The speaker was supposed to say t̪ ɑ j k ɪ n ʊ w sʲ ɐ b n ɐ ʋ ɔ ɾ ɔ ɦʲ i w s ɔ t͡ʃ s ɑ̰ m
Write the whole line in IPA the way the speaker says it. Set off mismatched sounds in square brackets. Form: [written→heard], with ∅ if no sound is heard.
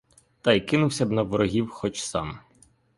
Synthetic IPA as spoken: t̪ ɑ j k ɪ n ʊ w sʲ ɐ b n ɐ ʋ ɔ ɾ ɔ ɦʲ i w [s→x] ɔ t͡ʃ s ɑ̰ m